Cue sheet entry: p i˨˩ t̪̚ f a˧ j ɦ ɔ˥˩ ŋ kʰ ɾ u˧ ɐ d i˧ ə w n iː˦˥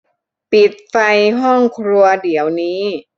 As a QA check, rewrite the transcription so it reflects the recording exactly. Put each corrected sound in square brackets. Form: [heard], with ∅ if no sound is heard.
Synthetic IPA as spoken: p i˨˩ t̪̚ f a˧ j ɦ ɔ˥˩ ŋ kʰ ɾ u˧ ɐ d [i˩˦] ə w n iː˦˥